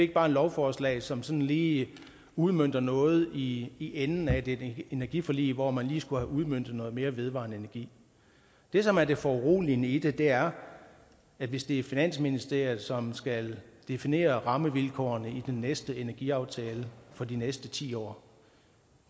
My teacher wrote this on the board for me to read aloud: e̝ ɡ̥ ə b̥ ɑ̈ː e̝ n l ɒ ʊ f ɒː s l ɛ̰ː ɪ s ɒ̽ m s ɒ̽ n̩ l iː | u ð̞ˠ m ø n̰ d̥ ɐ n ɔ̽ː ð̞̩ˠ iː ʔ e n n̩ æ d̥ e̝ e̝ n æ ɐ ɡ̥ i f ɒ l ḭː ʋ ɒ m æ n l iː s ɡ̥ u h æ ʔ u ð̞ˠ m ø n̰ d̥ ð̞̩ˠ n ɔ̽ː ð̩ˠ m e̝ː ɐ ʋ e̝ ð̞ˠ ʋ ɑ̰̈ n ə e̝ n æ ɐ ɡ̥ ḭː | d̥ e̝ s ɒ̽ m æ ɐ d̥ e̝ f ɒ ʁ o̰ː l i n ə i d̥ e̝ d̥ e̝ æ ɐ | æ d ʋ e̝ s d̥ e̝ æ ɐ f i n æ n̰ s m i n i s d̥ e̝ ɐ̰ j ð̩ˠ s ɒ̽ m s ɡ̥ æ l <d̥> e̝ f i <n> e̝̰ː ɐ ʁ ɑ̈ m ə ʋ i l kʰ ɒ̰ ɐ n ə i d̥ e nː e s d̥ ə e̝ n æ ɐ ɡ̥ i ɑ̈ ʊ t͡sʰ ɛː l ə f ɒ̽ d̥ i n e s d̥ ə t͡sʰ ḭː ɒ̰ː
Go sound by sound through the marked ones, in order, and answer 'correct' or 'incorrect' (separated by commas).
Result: correct, correct